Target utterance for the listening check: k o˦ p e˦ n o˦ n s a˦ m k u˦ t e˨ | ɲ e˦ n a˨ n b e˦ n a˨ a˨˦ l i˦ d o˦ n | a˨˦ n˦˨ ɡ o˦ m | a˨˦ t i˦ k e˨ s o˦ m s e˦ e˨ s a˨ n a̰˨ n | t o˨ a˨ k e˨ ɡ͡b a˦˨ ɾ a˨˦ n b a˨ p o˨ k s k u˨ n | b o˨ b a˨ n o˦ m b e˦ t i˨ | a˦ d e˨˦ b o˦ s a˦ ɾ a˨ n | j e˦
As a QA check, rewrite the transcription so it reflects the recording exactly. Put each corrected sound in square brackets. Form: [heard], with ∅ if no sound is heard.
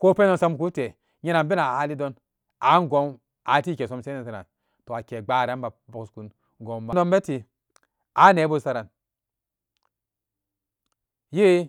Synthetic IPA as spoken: k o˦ p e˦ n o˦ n s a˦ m k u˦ t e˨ | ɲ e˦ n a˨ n b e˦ n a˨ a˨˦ l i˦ d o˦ n | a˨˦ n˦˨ ɡ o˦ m | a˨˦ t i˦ k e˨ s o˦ m s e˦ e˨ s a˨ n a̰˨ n | t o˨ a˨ k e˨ ɡ͡b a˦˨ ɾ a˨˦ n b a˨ [b] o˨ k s k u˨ n | [ɡ] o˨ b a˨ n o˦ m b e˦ t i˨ | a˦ [n] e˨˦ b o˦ s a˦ ɾ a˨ n | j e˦